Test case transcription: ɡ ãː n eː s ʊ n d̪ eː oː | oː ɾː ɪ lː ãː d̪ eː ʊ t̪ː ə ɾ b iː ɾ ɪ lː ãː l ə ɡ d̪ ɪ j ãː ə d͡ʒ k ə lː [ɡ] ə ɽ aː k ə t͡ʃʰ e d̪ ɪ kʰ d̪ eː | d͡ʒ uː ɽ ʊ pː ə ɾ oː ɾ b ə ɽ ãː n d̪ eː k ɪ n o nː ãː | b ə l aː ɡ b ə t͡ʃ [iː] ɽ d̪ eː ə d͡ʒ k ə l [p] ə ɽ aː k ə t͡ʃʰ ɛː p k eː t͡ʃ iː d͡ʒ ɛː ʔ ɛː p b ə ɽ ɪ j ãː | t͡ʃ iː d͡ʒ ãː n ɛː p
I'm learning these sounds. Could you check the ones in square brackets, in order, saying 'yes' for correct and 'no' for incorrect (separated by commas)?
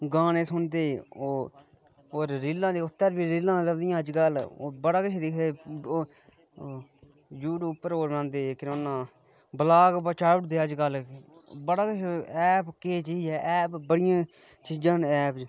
no, no, no